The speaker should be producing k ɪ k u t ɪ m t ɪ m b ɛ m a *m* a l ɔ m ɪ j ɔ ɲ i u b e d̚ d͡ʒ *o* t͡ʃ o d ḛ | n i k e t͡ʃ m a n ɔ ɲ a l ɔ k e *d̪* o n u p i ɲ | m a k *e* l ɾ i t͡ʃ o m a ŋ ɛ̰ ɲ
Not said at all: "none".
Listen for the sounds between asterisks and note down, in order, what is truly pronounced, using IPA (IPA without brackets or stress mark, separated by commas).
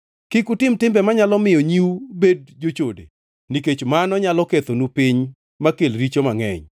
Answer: ɲ, o, t̪, e